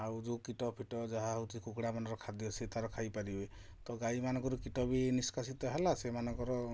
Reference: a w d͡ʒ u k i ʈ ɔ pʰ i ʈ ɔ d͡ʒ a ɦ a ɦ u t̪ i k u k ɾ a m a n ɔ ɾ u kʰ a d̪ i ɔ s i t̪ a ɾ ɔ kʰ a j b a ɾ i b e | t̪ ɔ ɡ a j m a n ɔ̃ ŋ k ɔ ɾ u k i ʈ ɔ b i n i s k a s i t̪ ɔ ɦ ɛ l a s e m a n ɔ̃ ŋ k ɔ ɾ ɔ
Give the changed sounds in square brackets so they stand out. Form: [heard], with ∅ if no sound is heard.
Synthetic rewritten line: a w d͡ʒ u k i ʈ ɔ pʰ i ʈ ɔ d͡ʒ a ɦ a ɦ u t̪ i k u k [ɽ] a m a n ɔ ɾ [ɔ] kʰ a d̪ i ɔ s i t̪ a ɾ ɔ kʰ a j [p] a ɾ i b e | t̪ ɔ ɡ a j m a n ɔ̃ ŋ k ɔ ɾ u k i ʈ ɔ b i n i s k a s i t̪ ɔ ɦ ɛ l a s e m a n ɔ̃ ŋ k ɔ ɾ ɔ

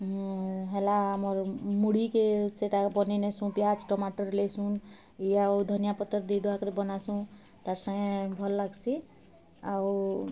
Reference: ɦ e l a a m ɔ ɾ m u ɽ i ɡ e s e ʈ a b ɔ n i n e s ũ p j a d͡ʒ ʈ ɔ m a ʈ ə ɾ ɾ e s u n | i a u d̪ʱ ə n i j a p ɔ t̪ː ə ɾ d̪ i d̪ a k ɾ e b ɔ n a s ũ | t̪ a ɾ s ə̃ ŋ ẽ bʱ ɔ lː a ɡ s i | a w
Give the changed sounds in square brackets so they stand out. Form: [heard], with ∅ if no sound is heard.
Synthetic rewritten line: ɦ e l a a m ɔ ɾ m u ɽ i [k] e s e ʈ a b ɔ n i n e s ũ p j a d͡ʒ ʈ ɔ m a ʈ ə ɾ [l] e s u n | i a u d̪ʱ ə n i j a p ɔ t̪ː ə ɾ d̪ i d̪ a k ɾ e b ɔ n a s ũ | t̪ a ɾ s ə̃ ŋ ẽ bʱ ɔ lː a ɡ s i | a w

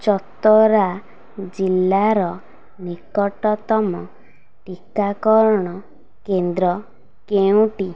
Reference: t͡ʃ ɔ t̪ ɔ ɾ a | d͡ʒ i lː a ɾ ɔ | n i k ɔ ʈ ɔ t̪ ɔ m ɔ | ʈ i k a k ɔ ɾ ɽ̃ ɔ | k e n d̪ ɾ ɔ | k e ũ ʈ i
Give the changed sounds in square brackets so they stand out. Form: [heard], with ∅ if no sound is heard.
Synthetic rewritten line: t͡ʃ ɔ t̪ ɔ ɾ a | d͡ʒ i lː a ɾ ɔ | n i k ɔ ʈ ɔ t̪ ɔ m ɔ | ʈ i k a k ɔ ɾ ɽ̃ ɔ | k e n d̪ ɾ ɔ | k e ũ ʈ i

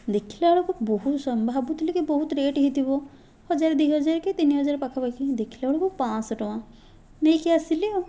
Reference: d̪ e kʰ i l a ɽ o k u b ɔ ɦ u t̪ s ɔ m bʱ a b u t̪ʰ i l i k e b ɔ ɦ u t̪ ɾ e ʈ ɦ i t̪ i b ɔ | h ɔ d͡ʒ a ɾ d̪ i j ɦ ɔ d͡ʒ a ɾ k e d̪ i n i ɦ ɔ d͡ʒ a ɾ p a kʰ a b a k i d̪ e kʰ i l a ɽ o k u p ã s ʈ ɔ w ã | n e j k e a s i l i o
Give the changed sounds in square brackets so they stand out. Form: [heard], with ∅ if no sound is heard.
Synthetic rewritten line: d̪ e kʰ i l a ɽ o k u b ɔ ɦ u t̪ s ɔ m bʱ a b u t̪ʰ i l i k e b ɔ ɦ u t̪ ɾ e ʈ ɦ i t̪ i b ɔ | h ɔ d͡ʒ a ɾ d̪ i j ɦ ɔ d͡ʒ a ɾ k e [t̪] i n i ɦ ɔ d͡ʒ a ɾ p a kʰ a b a k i d̪ e kʰ i l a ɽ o k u p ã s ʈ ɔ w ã | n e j k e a s i l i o

